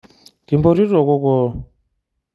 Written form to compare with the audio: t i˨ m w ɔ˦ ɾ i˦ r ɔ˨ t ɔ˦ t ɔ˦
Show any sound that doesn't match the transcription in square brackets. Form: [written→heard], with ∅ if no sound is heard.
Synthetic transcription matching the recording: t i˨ m [w→b] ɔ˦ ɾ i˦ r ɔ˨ [t→k] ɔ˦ [t→k] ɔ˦